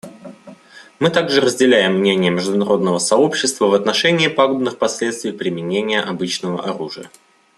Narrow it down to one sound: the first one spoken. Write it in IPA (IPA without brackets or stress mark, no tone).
m